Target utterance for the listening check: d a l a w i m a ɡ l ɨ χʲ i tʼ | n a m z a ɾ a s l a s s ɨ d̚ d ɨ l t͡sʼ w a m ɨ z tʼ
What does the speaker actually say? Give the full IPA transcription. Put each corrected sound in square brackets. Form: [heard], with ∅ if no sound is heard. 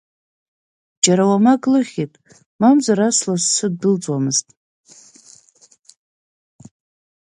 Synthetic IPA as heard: [d͡ʒ] a [ɾ] a w [a] m a ɡ l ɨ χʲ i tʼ | [m] a m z a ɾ a s l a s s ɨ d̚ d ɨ l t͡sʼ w a m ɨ z tʼ